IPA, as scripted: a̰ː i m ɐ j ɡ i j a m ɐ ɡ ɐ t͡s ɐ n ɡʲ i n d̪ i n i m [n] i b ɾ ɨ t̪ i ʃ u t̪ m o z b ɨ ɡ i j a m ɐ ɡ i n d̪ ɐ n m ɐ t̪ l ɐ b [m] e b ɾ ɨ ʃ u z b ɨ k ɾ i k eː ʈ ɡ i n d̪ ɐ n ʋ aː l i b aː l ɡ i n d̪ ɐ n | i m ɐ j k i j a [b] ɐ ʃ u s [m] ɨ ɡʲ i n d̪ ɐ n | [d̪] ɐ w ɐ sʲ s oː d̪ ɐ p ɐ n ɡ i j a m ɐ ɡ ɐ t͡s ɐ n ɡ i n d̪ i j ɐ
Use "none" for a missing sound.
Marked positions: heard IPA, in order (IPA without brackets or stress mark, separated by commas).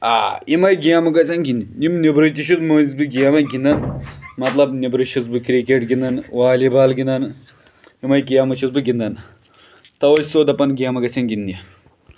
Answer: n, n, m, b, t̪